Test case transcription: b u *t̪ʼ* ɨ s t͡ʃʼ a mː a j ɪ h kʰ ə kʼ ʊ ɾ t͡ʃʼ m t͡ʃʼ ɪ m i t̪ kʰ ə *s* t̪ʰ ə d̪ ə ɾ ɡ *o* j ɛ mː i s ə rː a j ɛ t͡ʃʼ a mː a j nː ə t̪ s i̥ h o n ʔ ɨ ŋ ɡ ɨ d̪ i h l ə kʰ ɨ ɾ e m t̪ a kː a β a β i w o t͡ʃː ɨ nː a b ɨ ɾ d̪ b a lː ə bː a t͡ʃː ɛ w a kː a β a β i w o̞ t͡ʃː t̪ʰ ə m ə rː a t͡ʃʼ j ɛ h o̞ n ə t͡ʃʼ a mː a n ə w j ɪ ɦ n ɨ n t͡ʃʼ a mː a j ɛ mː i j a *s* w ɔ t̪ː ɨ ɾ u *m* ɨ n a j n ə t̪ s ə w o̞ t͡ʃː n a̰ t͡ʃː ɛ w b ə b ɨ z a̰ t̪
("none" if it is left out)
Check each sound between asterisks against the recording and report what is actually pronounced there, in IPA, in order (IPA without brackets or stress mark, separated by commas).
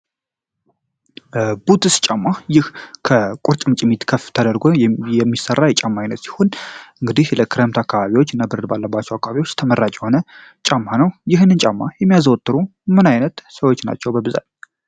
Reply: t̪, f, o, z, m